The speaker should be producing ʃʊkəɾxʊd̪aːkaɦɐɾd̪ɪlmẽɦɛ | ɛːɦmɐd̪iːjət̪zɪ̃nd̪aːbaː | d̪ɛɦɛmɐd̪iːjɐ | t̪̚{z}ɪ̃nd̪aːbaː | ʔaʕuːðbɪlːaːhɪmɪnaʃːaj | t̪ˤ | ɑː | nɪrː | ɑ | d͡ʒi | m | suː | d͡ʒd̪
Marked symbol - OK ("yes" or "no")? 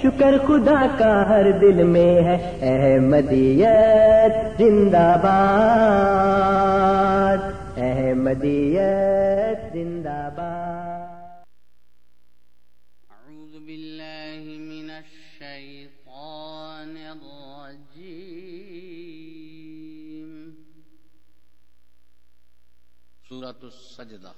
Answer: yes